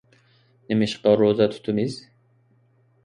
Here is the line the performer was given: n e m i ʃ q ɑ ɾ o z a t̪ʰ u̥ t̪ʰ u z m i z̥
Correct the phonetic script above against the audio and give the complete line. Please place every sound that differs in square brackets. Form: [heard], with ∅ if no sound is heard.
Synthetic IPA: n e m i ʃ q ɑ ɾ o z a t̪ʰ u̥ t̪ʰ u [∅] m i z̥